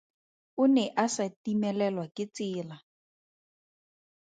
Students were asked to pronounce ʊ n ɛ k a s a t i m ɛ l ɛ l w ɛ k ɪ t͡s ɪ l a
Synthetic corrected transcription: ʊ n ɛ ʔ a s a t i m ɛ l ɛ l w a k ɪ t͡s ɪː l a